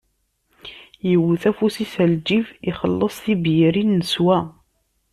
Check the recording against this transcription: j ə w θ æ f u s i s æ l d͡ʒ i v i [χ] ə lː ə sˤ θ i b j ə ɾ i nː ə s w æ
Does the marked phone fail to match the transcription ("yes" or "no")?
no